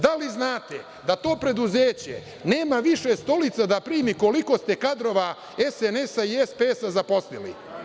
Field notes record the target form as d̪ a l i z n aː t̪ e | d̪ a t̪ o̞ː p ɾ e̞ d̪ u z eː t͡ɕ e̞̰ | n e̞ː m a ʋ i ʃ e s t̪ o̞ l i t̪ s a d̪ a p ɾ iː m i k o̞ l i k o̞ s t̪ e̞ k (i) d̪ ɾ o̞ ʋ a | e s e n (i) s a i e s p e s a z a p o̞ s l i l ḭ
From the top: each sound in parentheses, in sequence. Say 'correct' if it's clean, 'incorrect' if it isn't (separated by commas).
incorrect, incorrect